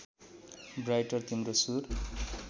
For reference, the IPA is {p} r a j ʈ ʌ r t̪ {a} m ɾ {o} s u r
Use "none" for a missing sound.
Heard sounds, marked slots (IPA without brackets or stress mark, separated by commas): b, i, o